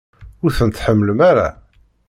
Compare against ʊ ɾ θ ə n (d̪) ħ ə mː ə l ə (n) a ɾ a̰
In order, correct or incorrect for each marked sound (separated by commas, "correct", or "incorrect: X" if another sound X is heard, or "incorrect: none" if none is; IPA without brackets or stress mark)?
incorrect: t̪, incorrect: m